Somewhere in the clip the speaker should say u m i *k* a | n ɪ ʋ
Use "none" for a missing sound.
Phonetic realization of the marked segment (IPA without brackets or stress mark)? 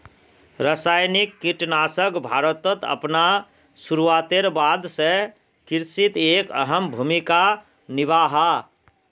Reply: k